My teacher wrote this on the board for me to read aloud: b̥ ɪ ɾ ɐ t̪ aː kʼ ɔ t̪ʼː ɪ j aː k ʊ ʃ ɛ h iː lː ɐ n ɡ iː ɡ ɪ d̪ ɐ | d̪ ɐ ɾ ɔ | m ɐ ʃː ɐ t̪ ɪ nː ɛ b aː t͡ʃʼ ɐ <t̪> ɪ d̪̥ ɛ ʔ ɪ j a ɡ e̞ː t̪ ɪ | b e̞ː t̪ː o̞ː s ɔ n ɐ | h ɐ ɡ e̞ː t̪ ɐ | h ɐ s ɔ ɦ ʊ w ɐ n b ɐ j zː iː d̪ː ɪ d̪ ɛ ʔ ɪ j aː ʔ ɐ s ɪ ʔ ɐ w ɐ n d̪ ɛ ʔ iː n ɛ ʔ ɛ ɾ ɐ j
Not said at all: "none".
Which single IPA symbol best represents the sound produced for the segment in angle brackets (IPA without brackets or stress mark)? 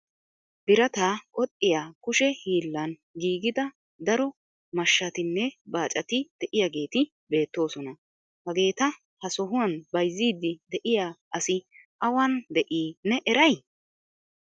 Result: t̪